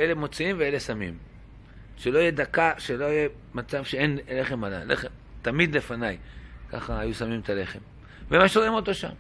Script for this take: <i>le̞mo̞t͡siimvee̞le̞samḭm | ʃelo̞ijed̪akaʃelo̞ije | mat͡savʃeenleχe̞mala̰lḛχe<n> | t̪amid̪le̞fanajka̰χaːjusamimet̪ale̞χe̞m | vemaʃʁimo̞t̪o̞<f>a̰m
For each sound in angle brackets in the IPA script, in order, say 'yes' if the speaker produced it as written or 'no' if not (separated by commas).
no, no, no